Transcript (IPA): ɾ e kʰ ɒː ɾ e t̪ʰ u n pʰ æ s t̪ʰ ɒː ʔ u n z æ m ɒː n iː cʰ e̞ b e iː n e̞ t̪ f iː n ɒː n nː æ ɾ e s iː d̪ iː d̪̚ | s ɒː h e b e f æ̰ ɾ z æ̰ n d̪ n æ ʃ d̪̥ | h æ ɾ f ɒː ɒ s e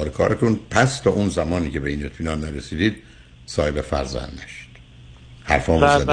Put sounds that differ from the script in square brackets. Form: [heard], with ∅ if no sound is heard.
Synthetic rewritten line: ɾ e kʰ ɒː ɾ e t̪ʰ u n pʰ æ s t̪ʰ ɒː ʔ u n z æ m ɒː n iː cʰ e̞ b e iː n e̞ t̪ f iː n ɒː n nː æ ɾ e s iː d̪ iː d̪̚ | s ɒː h e b e f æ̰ ɾ z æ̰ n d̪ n æ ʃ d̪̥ | h æ ɾ f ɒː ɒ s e